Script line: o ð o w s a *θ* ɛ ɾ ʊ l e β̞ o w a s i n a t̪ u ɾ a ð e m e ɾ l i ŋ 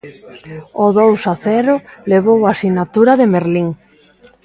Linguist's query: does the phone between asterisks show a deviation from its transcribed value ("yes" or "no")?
no